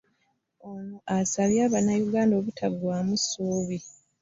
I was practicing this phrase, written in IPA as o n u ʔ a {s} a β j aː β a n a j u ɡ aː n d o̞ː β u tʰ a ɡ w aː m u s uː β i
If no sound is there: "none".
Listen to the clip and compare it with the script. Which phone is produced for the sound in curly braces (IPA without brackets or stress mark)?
s